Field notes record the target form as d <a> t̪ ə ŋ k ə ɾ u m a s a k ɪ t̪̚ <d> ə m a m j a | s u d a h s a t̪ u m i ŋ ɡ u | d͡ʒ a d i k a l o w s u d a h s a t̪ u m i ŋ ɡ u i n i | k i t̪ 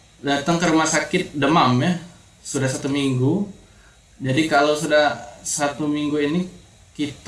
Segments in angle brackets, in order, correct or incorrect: correct, correct

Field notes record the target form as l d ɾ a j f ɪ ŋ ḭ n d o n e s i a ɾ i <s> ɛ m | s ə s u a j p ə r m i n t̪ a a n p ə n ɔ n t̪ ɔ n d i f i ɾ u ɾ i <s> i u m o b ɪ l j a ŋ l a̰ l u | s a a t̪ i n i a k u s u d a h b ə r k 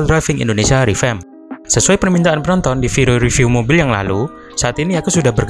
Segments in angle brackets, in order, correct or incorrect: incorrect, incorrect

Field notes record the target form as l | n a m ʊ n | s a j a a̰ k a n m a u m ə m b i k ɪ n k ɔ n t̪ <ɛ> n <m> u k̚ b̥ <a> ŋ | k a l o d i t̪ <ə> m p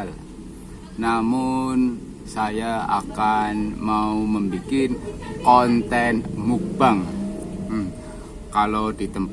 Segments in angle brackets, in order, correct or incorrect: correct, correct, correct, correct

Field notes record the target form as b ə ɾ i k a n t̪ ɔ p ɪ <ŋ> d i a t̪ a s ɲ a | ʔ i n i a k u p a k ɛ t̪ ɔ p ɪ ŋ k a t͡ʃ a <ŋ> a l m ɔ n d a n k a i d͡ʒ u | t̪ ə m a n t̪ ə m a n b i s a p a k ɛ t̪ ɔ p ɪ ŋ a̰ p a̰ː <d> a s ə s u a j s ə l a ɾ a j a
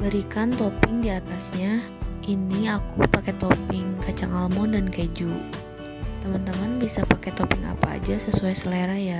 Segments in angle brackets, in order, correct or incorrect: correct, correct, incorrect

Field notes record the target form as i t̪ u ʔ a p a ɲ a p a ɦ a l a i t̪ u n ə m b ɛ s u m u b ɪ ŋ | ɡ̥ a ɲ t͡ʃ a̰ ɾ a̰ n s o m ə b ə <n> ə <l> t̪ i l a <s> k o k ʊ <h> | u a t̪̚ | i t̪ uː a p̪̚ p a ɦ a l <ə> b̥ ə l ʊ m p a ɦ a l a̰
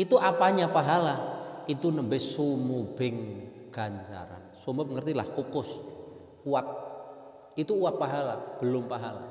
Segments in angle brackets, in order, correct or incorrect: incorrect, incorrect, incorrect, incorrect, incorrect

